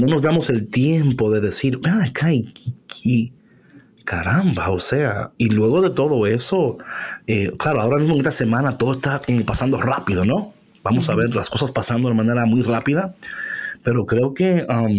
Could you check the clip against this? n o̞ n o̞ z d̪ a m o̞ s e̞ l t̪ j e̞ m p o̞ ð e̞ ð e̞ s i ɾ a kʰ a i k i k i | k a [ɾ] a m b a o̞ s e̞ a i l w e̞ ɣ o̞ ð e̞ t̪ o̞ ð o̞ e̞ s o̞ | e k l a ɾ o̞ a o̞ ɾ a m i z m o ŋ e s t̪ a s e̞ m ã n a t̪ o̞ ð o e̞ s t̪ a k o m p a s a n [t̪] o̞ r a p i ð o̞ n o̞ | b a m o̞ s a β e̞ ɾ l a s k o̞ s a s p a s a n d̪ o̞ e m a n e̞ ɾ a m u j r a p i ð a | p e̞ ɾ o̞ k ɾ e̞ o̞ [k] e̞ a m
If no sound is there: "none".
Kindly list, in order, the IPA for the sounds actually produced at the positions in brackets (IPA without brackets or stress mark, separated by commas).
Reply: ɾ, d̪, k